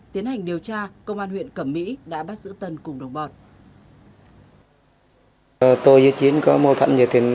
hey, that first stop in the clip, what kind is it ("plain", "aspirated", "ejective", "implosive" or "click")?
plain